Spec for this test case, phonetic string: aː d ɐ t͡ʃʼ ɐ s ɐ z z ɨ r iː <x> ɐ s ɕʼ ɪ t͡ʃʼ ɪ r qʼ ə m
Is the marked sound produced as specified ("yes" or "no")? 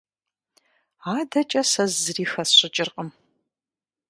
yes